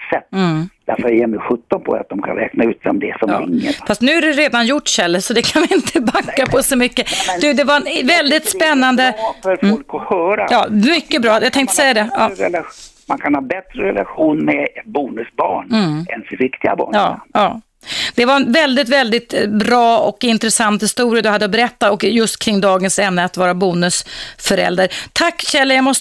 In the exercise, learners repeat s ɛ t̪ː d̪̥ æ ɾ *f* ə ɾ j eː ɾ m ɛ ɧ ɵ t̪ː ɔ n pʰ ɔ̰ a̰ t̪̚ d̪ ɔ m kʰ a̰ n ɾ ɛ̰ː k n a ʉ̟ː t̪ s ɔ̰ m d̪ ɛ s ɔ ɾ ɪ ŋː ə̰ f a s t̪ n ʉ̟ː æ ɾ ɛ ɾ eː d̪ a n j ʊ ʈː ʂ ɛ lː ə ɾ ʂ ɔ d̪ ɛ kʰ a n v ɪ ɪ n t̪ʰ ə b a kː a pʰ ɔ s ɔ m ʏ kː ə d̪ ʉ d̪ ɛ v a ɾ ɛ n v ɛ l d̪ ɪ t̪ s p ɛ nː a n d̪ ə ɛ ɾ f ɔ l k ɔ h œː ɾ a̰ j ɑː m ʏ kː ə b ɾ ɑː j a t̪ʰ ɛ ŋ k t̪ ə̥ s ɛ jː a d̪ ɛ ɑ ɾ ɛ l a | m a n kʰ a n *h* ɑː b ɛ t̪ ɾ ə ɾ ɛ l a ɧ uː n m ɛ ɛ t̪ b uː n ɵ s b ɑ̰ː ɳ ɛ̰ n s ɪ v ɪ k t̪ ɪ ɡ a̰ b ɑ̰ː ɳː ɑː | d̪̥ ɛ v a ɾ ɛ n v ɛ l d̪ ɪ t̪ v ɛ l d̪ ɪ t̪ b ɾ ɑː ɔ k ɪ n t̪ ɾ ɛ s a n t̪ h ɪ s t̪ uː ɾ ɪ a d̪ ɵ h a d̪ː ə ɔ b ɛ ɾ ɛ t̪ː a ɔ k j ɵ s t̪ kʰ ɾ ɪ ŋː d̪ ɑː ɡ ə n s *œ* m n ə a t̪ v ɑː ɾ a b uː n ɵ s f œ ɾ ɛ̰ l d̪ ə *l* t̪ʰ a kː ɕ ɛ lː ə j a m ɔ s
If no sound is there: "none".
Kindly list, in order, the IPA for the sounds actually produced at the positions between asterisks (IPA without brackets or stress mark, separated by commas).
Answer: f, h, ɛ, ɾ